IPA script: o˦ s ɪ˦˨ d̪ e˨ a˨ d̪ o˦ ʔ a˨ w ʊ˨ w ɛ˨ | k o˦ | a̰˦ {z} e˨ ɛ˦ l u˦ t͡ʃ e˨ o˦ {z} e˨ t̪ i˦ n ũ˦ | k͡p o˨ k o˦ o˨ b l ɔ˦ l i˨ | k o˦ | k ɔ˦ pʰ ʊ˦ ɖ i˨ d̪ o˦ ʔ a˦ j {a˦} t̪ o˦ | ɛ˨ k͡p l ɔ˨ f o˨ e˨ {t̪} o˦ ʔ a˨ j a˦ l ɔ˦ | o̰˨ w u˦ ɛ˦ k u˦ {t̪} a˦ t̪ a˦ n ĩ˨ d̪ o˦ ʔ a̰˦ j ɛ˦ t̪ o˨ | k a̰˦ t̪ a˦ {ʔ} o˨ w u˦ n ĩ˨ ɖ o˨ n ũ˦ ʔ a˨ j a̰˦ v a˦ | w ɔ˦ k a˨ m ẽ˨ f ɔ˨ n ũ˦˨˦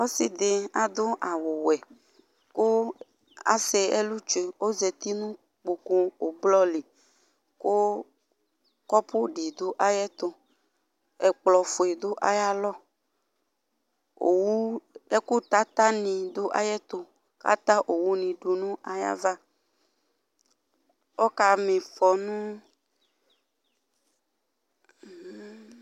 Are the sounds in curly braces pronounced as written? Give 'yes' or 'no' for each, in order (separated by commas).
no, yes, no, no, yes, yes